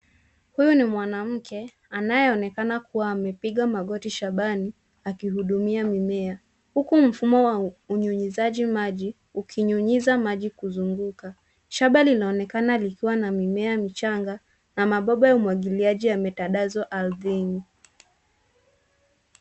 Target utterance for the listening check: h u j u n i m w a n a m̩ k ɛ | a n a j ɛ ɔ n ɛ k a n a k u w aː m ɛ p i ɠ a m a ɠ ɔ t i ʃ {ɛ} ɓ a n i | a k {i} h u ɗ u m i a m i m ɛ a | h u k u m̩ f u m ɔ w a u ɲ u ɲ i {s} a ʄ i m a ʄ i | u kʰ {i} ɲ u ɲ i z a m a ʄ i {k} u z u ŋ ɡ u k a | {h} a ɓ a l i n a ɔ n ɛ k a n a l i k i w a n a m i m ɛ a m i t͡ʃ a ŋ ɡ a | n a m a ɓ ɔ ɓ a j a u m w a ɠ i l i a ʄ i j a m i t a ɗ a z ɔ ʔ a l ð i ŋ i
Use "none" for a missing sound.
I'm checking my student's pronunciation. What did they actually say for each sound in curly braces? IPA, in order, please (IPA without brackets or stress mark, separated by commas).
a, i, z, i, k, ʃ